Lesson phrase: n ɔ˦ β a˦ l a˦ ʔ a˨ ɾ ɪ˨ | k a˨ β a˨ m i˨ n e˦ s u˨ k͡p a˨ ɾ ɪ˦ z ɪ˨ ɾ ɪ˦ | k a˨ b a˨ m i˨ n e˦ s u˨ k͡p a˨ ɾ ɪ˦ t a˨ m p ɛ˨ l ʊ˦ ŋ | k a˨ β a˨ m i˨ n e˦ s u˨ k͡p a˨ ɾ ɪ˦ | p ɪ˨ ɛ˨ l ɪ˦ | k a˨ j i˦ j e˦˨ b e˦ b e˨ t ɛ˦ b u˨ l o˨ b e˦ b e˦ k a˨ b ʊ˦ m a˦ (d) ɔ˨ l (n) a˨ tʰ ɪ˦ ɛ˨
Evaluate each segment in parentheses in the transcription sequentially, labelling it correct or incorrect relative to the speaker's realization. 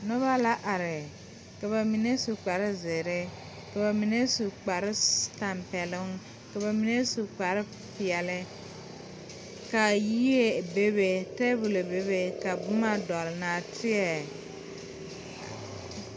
correct, correct

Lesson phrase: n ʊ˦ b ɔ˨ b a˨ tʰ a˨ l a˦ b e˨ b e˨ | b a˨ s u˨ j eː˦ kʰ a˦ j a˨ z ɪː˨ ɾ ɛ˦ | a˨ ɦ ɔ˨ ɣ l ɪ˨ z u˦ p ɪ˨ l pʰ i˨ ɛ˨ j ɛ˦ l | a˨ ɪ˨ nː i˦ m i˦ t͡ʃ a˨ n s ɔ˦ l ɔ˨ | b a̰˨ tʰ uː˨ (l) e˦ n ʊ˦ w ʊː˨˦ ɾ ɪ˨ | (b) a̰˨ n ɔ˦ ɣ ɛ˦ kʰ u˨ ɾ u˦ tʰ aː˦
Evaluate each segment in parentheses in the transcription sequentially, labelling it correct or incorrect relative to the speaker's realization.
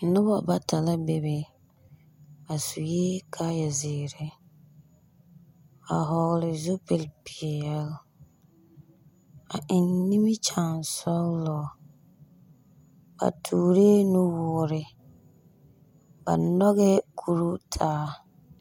incorrect: ɾ, correct

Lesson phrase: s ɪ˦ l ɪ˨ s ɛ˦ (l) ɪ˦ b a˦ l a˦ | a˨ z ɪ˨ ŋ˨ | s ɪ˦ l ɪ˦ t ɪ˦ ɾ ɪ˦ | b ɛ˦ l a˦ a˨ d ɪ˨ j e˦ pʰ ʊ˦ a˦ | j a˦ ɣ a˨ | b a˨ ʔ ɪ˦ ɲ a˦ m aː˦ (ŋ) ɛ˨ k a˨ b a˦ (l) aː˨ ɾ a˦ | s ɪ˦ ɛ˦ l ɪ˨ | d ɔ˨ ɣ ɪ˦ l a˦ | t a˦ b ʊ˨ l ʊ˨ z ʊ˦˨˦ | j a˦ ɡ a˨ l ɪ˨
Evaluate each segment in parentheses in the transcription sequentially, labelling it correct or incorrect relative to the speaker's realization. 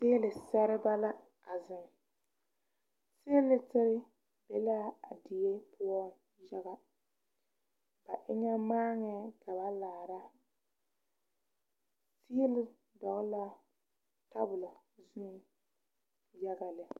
incorrect: ɾ, correct, correct

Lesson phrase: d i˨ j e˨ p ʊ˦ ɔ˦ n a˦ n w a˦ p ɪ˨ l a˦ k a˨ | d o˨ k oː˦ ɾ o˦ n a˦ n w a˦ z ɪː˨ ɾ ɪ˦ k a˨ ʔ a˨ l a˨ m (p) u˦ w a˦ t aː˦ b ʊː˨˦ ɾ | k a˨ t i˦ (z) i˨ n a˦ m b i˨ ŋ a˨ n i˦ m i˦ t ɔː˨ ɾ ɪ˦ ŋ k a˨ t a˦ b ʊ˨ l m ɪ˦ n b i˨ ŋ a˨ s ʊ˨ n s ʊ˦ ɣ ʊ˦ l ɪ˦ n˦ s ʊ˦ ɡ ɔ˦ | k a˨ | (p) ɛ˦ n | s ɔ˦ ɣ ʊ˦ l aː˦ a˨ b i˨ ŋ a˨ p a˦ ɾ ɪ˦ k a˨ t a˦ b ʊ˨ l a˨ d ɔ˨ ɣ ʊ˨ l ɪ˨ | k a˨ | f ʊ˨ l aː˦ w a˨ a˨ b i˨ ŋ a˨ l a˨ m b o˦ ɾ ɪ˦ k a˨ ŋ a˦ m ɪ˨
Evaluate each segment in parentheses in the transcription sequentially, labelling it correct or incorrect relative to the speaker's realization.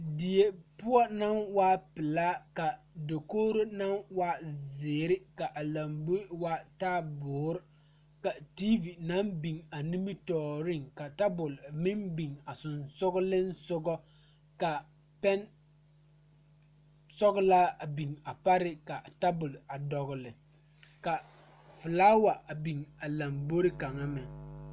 incorrect: b, incorrect: v, correct

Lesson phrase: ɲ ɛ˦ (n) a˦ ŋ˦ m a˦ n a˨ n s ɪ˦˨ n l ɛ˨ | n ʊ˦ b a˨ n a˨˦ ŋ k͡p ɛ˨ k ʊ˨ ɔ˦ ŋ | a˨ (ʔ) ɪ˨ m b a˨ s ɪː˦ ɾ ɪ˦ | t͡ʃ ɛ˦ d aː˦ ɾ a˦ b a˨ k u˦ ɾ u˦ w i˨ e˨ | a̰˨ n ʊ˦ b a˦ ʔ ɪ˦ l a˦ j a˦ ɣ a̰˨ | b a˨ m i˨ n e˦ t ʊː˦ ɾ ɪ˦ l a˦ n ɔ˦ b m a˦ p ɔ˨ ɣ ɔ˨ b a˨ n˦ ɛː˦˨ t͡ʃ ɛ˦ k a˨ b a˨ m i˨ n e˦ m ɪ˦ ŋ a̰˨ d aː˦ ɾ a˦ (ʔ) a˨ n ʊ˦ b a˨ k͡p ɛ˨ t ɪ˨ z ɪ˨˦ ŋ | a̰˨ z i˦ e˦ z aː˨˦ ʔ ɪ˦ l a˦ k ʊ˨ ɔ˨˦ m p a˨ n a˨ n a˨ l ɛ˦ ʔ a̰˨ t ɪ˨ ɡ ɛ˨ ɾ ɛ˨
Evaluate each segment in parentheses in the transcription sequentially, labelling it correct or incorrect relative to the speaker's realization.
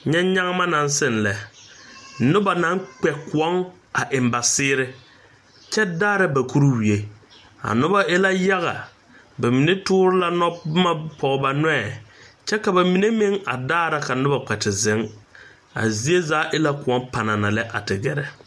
incorrect: ɲ, correct, incorrect: k

